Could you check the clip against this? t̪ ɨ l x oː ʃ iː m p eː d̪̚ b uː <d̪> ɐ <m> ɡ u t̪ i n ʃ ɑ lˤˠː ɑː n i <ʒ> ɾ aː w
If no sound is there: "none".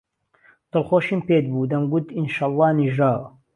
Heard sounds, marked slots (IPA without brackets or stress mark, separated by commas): d̪, m, ʒ